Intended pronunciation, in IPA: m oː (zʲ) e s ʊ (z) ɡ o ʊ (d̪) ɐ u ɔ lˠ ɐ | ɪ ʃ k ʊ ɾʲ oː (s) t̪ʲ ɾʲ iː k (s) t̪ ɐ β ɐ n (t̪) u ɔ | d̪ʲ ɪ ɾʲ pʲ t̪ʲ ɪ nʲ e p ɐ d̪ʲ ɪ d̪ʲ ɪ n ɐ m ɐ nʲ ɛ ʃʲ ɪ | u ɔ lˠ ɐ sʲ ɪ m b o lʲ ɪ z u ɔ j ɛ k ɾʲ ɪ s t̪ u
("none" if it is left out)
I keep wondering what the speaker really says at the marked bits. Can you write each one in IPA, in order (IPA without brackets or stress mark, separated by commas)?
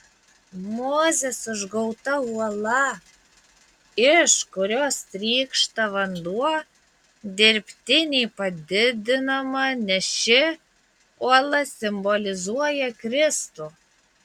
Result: zʲ, ʒ, t̪, s, ʃ, d̪